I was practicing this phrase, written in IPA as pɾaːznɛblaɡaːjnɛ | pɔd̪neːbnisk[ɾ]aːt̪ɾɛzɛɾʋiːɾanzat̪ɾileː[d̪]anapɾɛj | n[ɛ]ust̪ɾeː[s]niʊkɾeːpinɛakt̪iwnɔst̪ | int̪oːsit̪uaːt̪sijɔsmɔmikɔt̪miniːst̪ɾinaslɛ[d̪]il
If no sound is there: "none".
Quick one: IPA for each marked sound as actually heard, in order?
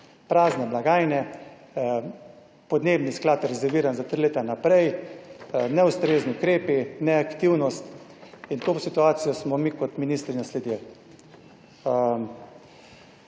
l, t̪, ɛ, z, d̪

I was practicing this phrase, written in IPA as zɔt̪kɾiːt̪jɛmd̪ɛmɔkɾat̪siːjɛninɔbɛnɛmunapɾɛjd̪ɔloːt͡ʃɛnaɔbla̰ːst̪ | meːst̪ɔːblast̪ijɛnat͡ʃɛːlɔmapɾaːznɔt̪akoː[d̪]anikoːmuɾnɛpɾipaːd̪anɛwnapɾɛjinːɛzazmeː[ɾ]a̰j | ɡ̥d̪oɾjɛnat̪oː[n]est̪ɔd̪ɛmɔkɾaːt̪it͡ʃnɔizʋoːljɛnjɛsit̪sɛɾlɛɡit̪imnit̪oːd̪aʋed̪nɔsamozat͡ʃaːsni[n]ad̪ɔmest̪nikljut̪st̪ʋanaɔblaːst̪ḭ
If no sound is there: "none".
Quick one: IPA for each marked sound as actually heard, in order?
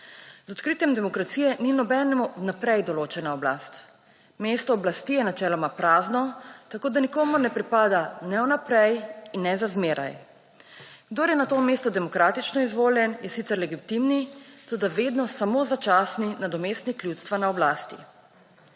d̪, ɾ, m, n

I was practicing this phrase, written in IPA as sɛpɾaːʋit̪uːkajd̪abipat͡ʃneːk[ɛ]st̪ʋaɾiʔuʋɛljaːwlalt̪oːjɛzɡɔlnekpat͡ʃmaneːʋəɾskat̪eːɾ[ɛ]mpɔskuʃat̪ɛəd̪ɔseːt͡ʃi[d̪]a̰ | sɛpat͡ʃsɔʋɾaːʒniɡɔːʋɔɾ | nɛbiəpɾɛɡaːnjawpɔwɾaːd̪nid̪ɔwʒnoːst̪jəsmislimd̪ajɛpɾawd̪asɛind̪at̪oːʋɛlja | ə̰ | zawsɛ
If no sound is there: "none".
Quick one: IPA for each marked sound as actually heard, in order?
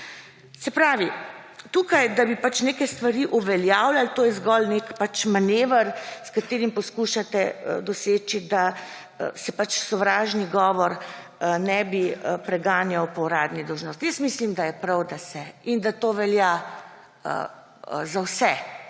ɛ, i, d̪

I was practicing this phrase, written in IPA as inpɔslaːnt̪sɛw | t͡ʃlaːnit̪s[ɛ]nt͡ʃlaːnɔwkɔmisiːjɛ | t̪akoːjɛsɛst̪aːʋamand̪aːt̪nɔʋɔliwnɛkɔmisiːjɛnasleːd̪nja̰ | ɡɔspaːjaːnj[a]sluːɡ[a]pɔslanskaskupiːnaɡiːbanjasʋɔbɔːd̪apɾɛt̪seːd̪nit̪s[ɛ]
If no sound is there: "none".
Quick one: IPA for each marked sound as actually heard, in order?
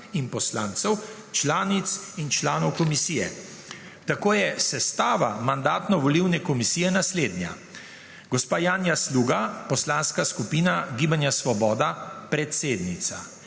i, a, a, a

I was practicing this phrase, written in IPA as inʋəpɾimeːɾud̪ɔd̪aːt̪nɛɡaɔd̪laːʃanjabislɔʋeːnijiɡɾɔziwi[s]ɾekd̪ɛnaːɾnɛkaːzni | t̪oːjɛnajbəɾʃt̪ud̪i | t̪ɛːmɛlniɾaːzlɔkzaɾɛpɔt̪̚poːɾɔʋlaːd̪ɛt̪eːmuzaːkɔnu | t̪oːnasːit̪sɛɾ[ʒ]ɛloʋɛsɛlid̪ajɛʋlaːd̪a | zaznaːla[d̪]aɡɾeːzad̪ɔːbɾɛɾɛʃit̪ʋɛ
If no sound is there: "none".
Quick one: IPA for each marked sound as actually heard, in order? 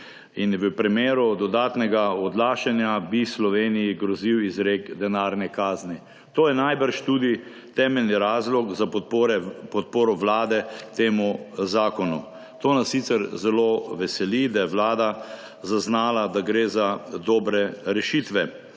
z, z, d̪

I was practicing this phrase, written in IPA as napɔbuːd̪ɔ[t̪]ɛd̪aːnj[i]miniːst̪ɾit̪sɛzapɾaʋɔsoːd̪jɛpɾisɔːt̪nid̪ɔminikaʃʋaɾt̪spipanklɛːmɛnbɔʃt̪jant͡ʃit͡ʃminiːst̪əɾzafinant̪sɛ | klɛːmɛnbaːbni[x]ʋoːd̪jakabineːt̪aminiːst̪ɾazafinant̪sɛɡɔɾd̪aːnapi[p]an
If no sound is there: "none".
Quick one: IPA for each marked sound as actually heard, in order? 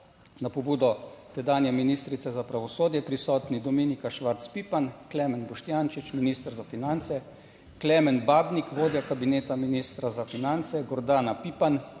t̪, ɛ, k, p

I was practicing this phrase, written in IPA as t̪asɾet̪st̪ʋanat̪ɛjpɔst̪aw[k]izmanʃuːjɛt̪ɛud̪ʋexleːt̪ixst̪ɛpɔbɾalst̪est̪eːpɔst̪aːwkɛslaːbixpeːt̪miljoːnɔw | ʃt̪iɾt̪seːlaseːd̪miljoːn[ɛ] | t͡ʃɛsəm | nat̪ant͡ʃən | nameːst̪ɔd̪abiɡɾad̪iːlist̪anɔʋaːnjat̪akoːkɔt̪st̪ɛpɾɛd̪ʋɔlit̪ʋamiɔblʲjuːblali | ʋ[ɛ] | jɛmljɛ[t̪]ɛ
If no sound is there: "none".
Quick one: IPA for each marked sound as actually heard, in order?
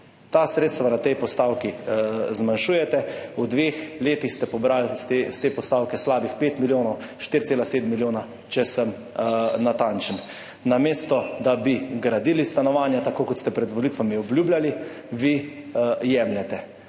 k, a, i, t̪

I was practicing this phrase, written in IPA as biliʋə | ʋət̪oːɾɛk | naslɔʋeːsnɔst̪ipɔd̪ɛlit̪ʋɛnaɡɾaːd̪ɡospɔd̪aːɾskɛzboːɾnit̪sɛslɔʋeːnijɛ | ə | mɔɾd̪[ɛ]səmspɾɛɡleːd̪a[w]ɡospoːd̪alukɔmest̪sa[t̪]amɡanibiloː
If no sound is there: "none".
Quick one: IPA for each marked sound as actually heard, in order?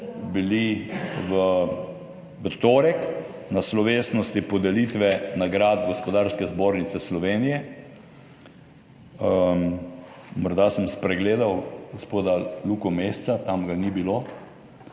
a, w, t̪

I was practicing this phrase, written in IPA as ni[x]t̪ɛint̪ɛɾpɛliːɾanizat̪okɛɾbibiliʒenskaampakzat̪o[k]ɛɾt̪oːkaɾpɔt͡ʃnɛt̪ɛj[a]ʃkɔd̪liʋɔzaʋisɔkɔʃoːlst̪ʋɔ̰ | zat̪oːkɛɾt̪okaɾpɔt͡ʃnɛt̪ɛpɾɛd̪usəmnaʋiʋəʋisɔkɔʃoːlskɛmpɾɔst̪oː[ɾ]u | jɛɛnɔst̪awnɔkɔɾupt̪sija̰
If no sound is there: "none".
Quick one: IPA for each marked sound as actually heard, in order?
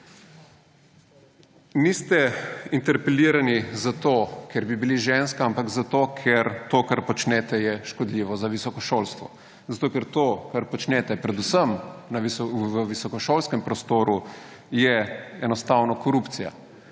s, kʰ, ɛ, ɾ

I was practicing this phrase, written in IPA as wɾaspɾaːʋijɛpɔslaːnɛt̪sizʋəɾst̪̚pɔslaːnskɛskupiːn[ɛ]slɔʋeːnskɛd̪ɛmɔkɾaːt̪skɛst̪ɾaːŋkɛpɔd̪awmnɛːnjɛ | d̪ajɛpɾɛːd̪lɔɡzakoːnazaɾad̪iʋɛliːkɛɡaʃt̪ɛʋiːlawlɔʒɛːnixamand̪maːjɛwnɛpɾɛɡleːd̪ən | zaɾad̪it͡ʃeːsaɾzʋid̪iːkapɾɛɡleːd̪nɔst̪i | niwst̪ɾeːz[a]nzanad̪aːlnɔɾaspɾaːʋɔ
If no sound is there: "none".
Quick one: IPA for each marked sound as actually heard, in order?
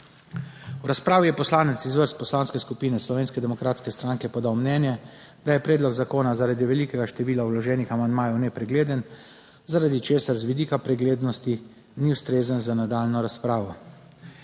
ɛ, ə

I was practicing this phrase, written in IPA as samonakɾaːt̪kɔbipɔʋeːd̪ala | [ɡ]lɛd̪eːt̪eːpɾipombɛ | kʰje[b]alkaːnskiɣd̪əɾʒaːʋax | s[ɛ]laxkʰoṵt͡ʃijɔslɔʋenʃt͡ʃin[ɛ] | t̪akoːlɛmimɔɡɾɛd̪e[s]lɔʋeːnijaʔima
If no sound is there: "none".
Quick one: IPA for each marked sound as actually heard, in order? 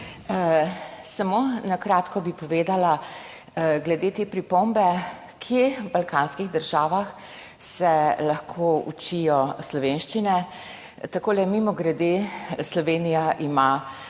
ɡ, b, ɛ, ɛ, s

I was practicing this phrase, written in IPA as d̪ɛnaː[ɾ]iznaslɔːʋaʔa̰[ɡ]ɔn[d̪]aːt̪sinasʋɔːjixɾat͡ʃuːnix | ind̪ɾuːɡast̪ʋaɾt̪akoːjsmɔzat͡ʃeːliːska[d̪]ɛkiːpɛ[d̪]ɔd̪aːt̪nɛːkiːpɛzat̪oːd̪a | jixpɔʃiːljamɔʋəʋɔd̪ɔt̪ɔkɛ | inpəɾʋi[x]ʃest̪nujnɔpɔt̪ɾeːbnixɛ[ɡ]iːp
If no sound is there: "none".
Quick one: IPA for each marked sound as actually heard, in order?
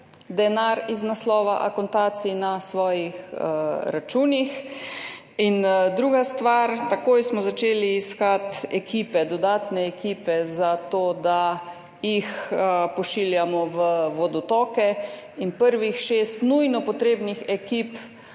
ɾ, k, t̪, t̪, d̪, x, k

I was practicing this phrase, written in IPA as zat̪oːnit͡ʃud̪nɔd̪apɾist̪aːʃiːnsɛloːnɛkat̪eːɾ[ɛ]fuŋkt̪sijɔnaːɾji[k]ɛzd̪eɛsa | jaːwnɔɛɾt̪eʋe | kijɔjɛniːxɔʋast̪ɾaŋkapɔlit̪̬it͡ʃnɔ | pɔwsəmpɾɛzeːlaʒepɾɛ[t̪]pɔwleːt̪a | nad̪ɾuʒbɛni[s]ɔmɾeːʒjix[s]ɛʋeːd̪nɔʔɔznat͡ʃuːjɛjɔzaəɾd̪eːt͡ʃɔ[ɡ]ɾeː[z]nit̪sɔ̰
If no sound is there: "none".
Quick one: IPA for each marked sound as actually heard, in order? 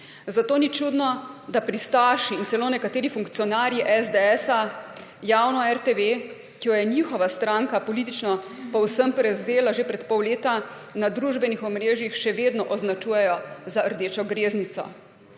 i, ʔ, t̪, x, ʃ, ɡ, z

